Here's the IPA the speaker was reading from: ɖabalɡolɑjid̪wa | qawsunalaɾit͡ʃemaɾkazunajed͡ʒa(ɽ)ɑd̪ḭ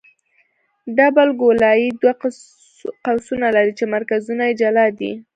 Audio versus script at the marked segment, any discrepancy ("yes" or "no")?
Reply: yes